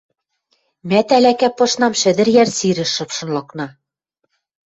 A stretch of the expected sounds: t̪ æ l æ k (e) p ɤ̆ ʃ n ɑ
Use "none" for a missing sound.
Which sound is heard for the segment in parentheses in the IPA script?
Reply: æ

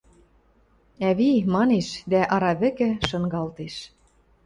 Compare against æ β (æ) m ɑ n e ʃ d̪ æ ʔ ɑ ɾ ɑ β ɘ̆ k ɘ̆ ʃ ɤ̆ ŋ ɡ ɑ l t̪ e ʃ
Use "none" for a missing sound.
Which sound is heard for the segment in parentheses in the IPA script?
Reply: i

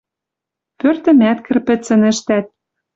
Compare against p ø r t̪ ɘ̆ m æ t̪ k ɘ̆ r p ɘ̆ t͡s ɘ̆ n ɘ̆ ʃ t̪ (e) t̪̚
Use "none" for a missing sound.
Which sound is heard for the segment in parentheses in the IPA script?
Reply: æ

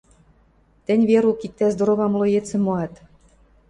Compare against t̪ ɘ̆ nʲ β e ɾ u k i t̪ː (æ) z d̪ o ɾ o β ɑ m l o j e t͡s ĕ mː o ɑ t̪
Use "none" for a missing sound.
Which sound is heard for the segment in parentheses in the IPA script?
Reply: æ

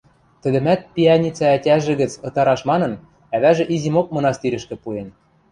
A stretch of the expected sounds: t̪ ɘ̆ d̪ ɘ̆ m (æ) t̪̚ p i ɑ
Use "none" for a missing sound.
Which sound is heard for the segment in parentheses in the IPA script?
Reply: æ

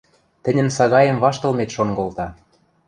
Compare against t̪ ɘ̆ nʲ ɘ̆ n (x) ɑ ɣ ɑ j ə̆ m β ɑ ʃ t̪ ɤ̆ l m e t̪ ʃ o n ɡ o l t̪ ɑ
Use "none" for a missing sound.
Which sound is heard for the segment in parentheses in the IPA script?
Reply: s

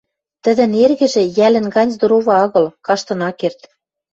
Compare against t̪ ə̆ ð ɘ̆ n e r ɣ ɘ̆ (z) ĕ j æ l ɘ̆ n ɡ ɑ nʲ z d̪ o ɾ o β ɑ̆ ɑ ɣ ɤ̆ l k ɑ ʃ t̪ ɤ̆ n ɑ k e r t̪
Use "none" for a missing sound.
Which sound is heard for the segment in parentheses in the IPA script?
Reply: ʒ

